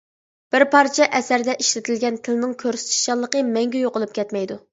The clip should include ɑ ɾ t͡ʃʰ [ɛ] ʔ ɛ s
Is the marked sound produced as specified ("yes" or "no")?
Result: yes